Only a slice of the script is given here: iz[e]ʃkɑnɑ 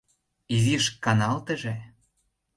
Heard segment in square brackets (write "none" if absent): i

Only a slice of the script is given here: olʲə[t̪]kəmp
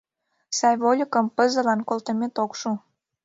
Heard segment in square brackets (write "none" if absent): none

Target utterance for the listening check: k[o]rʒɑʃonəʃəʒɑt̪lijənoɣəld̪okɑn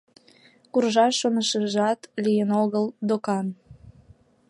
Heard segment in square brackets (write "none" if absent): u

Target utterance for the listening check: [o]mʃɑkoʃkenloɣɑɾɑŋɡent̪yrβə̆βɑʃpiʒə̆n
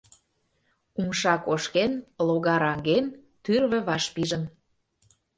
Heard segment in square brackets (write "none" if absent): u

